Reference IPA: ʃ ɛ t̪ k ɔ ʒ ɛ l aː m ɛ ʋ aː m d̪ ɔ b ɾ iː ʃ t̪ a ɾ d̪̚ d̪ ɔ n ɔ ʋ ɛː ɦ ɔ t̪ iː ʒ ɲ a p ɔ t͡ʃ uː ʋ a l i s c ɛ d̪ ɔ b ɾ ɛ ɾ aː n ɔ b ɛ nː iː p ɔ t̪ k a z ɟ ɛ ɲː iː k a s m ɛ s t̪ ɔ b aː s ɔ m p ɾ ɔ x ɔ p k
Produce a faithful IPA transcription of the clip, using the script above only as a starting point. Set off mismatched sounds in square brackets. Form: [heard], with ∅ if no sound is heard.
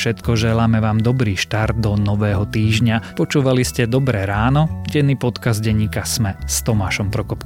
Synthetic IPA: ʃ ɛ t̪ k ɔ ʒ ɛ l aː m ɛ ʋ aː m d̪ ɔ b ɾ iː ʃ t̪ a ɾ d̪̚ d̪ ɔ n ɔ ʋ ɛː ɦ ɔ t̪ iː ʒ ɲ a p ɔ t͡ʃ uː ʋ a l i s c ɛ d̪ ɔ b ɾ ɛ ɾ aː n ɔ [ɟ] ɛ nː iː p ɔ t̪ k a z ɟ ɛ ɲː iː k a s m ɛ s t̪ ɔ [m] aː [ʃ] ɔ m p ɾ ɔ [k] ɔ p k